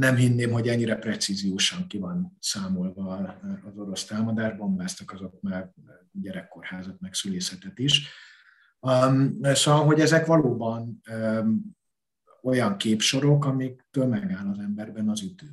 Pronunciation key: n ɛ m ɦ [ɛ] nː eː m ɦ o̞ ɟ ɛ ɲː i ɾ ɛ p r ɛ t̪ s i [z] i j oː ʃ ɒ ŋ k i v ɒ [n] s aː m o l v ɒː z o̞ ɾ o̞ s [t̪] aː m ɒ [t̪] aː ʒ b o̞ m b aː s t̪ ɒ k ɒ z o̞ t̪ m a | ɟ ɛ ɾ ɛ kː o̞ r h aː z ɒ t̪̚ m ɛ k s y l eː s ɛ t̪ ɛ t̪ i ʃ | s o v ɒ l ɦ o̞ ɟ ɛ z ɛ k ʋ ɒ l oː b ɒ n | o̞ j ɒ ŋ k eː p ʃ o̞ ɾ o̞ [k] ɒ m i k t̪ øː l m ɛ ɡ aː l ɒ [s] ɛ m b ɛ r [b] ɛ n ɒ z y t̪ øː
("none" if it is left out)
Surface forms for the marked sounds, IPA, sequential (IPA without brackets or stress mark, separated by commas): i, z, n, t̪, d̪, k, z, b